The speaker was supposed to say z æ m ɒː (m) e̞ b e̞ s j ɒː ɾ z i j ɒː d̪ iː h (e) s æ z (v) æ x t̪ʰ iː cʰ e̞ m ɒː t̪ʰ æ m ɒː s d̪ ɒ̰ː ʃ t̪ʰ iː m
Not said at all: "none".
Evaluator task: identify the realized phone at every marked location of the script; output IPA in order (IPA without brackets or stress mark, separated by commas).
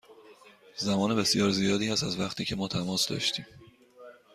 n, æ, v